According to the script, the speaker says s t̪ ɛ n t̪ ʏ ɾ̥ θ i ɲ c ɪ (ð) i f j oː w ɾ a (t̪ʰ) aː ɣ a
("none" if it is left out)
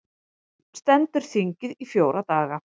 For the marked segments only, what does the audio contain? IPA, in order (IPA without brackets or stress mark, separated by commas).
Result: ð, t̪